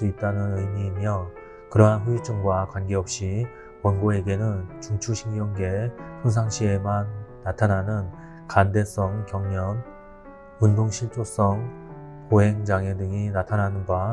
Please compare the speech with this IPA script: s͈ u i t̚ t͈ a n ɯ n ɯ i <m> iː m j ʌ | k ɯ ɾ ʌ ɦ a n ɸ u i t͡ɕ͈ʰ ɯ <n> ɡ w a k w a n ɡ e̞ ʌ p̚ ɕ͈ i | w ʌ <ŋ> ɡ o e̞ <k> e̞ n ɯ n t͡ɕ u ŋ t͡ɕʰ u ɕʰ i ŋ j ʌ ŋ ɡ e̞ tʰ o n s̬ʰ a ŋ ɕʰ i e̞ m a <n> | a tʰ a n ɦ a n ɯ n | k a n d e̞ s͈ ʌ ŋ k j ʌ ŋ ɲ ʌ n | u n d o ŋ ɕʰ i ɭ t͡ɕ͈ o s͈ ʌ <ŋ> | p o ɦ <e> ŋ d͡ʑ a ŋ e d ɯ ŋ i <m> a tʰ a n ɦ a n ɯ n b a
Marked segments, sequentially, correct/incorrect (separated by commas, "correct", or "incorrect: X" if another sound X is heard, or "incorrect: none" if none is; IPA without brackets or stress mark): correct, incorrect: ŋ, incorrect: n, incorrect: ɡ, incorrect: nː, correct, correct, incorrect: n